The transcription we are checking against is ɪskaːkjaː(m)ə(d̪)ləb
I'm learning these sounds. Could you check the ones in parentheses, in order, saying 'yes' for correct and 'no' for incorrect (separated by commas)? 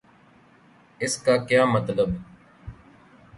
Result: yes, no